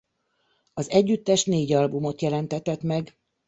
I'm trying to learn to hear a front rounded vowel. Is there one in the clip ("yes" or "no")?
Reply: yes